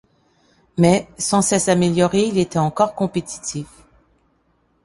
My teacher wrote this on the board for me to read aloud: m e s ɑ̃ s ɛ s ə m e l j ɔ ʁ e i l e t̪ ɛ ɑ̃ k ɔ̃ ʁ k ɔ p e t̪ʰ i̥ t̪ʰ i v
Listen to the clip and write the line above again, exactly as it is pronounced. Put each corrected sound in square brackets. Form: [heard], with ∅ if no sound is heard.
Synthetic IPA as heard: m [ɛ] s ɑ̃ s ɛ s [a] m e l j ɔ ʁ e i l e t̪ ɛ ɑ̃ k [ɔ] ʁ k [ɔ̃] p e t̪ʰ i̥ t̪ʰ i [f]